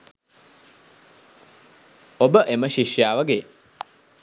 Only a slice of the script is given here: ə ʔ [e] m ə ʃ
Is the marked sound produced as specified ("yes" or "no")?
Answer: yes